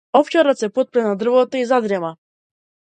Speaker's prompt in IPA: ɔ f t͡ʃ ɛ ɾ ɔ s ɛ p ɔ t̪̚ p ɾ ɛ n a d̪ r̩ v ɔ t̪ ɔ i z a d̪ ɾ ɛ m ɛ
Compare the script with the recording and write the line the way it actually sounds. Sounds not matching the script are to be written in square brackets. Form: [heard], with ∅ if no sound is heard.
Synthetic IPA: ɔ f t͡ʃ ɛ ɾ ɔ s ɛ p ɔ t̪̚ p ɾ ɛ n a d̪ r̩ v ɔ t̪ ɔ i z a d̪ ɾ ɛ m [a]